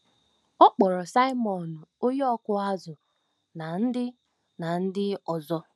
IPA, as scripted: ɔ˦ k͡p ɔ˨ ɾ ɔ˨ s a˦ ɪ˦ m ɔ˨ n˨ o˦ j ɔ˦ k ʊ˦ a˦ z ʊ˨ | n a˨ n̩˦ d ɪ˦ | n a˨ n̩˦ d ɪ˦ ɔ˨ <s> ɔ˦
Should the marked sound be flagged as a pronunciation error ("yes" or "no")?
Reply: yes